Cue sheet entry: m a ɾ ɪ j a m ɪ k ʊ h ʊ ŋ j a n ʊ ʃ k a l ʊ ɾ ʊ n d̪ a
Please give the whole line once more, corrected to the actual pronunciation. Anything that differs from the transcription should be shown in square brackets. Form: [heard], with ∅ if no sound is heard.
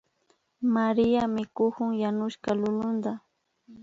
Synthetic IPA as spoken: m a ɾ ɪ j a m ɪ k ʊ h ʊ ŋ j a n ʊ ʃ k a l ʊ [l] ʊ n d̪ a